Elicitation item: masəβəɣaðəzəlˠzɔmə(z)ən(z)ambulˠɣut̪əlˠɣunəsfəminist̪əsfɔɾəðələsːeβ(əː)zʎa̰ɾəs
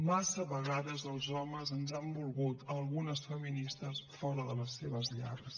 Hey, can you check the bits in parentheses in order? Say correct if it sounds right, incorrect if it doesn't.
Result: correct, correct, incorrect: ə

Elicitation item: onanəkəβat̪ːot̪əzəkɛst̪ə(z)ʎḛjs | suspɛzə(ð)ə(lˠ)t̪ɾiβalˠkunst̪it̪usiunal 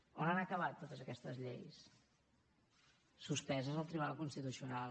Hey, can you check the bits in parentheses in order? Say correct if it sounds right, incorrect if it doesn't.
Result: correct, incorrect: z, correct

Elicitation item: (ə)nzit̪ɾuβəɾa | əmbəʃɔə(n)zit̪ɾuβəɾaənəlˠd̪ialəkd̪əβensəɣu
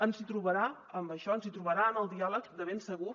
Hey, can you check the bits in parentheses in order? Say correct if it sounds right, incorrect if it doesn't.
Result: correct, correct

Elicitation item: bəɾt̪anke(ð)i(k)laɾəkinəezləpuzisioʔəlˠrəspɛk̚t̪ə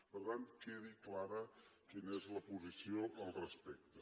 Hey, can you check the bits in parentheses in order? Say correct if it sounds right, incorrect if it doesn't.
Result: correct, correct

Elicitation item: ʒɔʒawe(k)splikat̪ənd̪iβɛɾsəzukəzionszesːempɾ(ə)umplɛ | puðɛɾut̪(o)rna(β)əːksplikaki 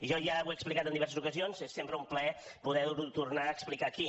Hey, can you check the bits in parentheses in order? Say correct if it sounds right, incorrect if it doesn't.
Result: correct, correct, incorrect: u, incorrect: none

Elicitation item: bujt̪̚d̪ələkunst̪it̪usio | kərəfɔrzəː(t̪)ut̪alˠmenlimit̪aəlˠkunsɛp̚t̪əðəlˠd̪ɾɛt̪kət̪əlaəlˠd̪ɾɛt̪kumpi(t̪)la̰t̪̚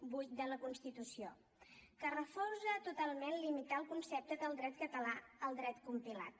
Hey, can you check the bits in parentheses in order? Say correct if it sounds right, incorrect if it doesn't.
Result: correct, incorrect: none

